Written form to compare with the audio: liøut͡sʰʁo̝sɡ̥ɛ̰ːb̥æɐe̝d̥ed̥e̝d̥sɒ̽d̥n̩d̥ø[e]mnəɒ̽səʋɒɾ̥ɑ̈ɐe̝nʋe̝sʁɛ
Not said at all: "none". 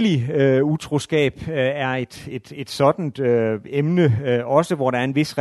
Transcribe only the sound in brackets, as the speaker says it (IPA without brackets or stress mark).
e